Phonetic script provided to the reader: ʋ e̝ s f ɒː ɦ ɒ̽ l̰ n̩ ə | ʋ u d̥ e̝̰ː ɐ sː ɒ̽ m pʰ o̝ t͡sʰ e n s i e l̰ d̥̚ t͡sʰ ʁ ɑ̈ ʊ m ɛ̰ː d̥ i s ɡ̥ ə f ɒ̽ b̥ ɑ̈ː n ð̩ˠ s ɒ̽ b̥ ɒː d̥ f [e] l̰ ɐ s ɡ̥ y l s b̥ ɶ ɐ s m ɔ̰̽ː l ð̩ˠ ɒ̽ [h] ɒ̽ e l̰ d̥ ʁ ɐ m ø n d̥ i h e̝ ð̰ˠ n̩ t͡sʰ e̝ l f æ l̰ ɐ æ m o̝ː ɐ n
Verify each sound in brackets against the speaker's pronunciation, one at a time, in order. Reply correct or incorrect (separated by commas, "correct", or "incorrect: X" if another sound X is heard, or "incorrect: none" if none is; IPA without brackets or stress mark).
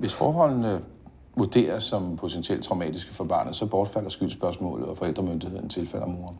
incorrect: æ, incorrect: f